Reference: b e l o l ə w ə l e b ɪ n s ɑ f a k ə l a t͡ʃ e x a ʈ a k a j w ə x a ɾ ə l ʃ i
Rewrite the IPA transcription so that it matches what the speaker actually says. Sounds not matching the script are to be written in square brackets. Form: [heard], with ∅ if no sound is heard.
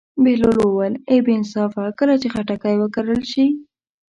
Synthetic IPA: b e l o l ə w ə l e b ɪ n s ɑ f a k ə l a t͡ʃ e x a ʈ a k a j w ə [k] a ɾ ə l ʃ i